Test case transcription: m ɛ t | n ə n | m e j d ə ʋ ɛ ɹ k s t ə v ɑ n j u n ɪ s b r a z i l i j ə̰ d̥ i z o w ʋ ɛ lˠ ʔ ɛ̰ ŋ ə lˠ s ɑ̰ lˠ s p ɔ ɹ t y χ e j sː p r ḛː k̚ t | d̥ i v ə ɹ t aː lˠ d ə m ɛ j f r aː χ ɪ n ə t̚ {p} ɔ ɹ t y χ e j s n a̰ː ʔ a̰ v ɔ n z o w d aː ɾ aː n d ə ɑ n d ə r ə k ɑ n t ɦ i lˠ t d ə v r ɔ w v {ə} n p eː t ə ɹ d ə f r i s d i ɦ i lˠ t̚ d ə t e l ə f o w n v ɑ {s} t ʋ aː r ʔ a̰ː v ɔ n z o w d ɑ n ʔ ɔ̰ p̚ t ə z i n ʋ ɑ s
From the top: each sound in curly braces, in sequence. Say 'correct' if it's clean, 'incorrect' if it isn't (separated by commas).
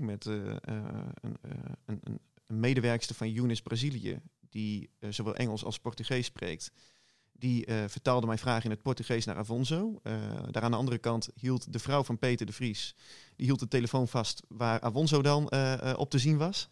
correct, incorrect, correct